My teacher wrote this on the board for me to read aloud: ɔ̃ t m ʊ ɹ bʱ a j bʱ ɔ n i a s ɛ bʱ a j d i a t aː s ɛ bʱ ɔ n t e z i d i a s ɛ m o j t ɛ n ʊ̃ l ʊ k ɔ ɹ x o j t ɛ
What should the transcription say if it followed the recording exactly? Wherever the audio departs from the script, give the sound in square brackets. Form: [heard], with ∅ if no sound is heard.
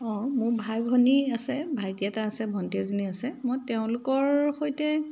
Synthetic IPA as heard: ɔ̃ [∅] m ʊ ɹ bʱ a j bʱ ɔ n i a s ɛ bʱ a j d i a t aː s ɛ bʱ ɔ n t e z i [n] i a s ɛ m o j t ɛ [∅] ʊ̃ l ʊ k ɔ ɹ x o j t ɛ